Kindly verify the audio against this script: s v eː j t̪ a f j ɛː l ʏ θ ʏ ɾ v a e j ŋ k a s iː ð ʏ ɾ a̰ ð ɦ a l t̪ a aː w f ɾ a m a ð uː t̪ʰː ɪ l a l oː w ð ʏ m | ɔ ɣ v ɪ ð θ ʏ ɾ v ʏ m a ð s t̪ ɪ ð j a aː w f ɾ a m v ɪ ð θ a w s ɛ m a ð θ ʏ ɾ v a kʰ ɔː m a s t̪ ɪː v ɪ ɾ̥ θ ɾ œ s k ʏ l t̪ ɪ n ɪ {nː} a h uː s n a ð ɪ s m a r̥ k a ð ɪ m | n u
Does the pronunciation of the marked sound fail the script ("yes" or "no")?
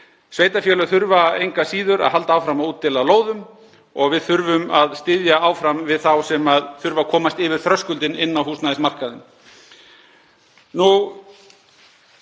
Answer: no